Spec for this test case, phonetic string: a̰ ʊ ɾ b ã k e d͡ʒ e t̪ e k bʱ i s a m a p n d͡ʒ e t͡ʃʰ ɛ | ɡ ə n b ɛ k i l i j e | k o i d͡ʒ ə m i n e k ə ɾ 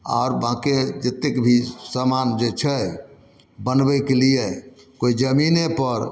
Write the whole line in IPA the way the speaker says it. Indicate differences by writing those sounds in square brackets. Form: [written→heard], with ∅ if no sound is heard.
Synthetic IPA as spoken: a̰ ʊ ɾ b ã k e d͡ʒ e t̪ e k bʱ i s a m a [p→∅] n d͡ʒ e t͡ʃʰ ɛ | [ɡ→b] ə n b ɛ k [i→e] l i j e | k o i d͡ʒ ə m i n e [k→p] ə ɾ